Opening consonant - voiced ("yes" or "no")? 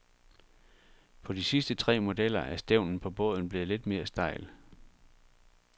no